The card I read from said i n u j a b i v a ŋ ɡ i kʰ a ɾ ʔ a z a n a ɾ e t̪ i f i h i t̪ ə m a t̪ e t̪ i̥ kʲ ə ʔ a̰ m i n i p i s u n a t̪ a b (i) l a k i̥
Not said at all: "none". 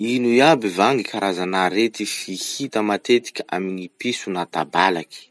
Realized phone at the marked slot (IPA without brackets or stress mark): a